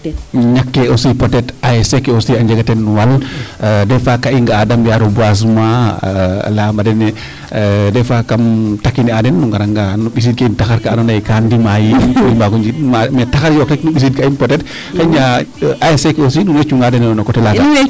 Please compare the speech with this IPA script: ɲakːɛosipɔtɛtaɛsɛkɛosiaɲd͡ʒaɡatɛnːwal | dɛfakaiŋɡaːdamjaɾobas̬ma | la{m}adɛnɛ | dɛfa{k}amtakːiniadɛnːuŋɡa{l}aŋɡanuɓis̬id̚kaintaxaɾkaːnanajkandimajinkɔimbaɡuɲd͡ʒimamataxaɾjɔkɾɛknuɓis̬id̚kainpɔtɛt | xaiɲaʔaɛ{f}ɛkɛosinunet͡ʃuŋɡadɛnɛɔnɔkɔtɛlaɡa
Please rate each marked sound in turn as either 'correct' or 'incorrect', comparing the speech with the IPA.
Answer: correct, correct, incorrect, incorrect

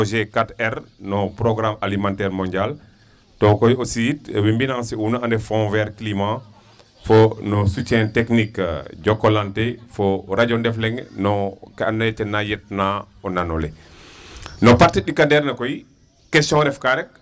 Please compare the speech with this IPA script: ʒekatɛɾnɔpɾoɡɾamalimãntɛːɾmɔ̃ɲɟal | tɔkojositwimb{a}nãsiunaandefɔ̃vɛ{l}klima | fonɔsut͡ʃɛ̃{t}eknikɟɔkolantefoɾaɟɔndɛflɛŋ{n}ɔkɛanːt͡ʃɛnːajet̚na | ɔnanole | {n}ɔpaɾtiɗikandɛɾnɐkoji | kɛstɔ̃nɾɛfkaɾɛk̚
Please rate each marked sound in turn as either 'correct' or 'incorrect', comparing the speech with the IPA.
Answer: incorrect, incorrect, correct, correct, correct

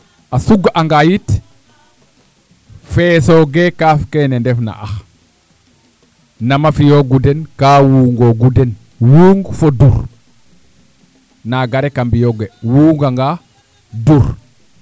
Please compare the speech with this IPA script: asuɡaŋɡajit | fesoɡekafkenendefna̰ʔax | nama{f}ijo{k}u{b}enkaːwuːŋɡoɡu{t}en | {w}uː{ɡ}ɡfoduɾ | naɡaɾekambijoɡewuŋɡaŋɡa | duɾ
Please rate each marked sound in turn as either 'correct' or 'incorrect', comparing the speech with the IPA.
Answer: correct, incorrect, incorrect, incorrect, correct, incorrect

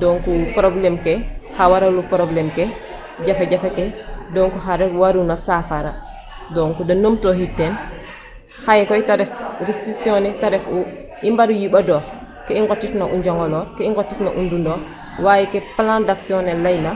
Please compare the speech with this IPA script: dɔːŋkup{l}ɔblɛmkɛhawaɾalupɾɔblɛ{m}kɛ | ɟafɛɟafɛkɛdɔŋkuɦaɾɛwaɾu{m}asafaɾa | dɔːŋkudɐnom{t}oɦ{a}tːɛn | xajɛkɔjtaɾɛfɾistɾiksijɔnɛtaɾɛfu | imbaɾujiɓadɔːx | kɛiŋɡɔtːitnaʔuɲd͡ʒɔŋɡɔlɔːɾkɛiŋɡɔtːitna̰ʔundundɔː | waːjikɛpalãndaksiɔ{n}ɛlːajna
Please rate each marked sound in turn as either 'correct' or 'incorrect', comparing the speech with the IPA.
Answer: incorrect, correct, incorrect, correct, incorrect, correct

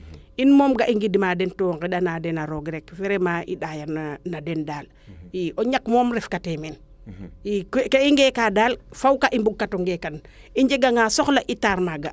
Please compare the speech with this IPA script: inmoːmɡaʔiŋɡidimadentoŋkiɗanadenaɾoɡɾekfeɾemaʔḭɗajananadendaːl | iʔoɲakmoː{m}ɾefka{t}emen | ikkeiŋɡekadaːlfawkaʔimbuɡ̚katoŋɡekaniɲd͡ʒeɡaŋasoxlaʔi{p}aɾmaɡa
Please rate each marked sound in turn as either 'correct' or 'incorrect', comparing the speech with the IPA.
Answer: correct, correct, incorrect

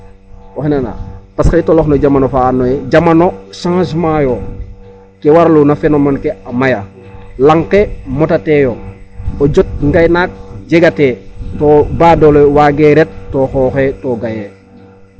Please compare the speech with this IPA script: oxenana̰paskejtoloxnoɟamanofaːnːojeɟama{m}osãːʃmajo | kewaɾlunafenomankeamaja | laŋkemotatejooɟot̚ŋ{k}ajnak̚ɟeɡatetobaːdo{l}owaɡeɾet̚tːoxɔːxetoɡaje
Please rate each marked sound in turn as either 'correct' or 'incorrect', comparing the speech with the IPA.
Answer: incorrect, incorrect, correct

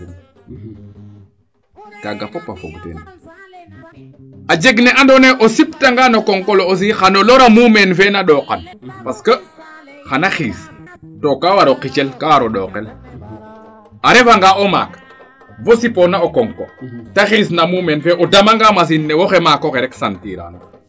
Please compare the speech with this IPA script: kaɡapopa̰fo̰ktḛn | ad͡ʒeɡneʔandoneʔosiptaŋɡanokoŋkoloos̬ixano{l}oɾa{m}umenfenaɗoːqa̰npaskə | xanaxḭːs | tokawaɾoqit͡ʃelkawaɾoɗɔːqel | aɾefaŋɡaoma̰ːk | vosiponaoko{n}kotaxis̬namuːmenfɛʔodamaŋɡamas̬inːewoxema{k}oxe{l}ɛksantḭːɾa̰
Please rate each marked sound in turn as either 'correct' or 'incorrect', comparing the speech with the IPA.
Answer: correct, correct, incorrect, correct, incorrect

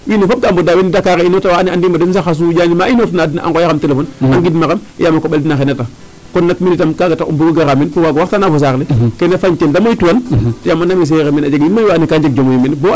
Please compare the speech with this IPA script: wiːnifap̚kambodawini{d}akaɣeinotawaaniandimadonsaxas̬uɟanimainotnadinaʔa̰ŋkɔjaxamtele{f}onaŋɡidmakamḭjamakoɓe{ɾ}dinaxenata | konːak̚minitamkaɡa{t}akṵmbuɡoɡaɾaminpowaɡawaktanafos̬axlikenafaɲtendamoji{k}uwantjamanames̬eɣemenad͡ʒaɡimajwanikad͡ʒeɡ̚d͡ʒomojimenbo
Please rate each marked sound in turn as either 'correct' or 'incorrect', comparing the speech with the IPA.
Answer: correct, correct, incorrect, correct, incorrect

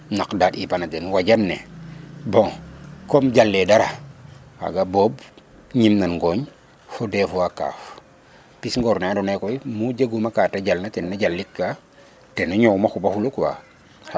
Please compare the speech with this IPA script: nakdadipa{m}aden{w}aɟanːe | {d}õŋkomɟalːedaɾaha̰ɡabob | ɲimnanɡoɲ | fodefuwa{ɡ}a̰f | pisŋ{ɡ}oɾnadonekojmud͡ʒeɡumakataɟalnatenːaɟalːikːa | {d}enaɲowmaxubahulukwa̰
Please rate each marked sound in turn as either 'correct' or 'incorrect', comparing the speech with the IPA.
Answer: incorrect, correct, incorrect, incorrect, correct, incorrect

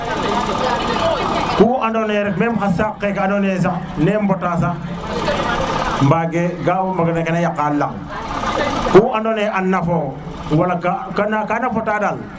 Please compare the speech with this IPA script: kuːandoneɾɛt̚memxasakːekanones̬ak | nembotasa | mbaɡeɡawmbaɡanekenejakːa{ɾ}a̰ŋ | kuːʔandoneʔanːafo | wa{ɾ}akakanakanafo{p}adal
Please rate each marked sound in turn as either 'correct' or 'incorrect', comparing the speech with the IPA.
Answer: incorrect, incorrect, incorrect

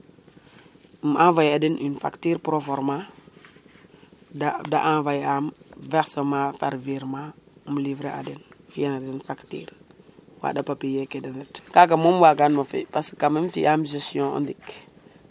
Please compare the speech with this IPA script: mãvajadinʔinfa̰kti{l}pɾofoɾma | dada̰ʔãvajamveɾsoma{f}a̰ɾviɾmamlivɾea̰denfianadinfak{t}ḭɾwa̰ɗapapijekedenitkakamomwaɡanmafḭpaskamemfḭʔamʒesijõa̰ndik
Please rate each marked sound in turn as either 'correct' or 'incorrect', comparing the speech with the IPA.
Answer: incorrect, correct, correct

